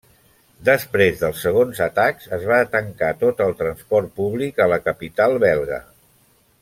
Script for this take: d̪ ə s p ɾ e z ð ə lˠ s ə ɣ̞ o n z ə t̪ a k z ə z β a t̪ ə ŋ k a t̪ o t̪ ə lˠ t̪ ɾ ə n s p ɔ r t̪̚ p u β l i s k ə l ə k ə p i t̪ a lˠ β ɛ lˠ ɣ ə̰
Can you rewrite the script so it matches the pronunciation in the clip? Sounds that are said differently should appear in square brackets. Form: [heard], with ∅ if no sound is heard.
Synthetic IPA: d̪ ə s p ɾ e z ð ə lˠ s ə ɣ̞ o n z ə t̪ a k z ə z β a t̪ ə ŋ k a t̪ o t̪ ə lˠ t̪ ɾ ə n s p ɔ r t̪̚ p u β l i [∅] k ə l ə k ə p i t̪ a lˠ β ɛ lˠ ɣ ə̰